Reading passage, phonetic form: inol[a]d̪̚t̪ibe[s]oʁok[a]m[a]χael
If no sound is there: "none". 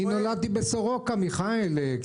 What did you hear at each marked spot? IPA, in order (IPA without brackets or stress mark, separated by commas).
a, s, a, i